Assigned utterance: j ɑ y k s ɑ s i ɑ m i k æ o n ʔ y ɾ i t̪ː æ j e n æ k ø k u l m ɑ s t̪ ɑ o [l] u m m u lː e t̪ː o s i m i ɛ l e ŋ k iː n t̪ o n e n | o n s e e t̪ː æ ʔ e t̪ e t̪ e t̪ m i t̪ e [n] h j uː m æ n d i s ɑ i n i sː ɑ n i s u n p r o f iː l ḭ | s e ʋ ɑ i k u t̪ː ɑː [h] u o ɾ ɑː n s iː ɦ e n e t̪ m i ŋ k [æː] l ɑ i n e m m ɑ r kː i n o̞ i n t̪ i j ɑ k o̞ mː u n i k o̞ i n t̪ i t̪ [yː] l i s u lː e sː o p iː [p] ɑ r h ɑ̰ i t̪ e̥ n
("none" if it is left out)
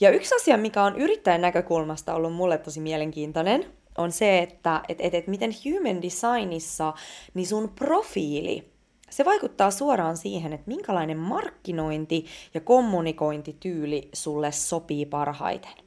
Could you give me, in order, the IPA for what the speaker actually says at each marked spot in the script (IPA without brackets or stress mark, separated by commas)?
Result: lː, n, s, æ, yː, p